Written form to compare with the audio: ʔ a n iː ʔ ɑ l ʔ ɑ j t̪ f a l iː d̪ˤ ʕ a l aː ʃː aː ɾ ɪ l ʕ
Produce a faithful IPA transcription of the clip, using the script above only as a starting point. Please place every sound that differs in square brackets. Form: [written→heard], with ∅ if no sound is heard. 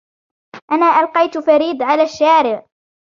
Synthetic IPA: ʔ a n [iː→aː] ʔ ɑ l [ʔ→q] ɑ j t̪ f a [l→ɾ] iː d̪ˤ ʕ a l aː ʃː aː ɾ ɪ [l→∅] ʕ